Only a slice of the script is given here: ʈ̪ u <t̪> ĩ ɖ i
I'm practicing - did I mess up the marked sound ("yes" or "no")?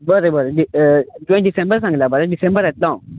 yes